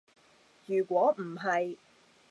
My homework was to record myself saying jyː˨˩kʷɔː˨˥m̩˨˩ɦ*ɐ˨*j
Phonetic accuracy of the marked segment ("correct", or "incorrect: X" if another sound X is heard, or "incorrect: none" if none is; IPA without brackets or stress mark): correct